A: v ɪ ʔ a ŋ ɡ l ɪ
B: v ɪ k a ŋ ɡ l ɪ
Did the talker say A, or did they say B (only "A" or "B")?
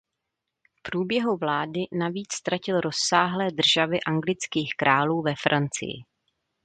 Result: A